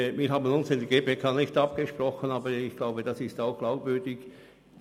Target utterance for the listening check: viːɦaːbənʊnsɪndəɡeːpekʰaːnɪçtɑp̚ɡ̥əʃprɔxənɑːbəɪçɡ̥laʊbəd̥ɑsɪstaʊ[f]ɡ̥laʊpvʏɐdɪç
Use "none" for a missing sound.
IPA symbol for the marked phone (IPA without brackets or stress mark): x